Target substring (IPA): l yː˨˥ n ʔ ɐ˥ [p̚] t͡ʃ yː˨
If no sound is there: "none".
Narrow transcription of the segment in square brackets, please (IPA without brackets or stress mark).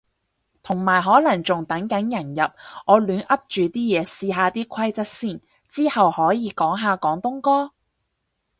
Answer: p̚